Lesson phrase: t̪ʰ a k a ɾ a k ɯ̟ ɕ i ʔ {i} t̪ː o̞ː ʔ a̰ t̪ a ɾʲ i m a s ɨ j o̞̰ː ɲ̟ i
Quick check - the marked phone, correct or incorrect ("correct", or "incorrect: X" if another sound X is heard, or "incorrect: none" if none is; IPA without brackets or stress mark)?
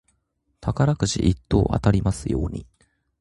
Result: correct